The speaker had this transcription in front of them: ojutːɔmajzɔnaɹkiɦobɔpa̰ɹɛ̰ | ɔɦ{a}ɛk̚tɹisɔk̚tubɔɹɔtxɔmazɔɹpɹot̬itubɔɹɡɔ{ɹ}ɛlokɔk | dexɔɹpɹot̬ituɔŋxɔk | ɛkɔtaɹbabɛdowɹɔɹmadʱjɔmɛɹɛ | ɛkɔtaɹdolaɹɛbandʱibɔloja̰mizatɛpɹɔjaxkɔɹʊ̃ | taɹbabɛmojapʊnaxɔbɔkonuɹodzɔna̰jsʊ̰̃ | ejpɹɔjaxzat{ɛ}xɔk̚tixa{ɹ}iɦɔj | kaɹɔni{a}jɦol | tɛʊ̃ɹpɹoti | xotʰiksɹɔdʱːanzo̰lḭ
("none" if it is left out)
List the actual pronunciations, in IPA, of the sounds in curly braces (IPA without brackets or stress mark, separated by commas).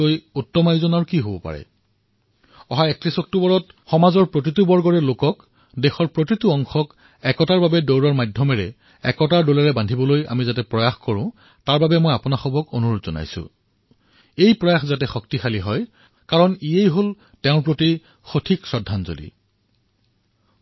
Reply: a, ɹ, ɛ, l, e